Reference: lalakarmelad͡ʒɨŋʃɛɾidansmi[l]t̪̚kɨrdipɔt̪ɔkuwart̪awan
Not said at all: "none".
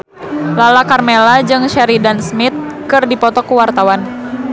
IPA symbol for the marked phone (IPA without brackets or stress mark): none